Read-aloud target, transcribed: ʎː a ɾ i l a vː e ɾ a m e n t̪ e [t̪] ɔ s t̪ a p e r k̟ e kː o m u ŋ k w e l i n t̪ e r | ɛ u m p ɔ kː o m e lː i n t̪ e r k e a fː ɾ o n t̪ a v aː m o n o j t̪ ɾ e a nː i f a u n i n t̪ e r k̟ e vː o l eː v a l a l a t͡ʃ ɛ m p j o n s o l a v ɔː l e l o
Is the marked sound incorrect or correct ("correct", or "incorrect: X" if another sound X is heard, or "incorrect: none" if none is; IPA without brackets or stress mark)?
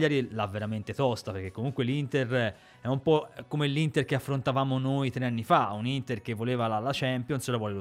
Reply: correct